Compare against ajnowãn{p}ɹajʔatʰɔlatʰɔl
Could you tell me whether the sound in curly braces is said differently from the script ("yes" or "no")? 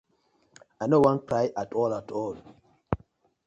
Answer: yes